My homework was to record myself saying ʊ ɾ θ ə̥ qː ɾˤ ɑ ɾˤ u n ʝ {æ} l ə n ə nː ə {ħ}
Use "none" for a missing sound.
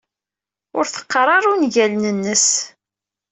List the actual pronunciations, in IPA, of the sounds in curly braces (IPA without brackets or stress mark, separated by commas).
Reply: æ, s